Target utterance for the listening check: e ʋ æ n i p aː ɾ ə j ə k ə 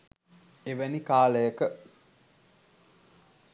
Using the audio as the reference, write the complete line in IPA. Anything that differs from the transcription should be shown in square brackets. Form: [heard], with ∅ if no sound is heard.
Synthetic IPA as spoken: e ʋ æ n i [k] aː [l] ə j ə k ə